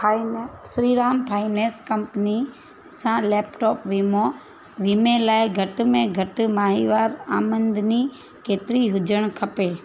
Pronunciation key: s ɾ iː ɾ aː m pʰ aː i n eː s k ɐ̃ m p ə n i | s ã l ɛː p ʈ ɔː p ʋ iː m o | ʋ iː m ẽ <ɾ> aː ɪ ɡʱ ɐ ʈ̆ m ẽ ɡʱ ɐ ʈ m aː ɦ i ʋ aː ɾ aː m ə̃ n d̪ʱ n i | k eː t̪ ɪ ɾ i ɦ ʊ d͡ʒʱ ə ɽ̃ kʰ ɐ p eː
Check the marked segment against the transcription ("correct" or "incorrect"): incorrect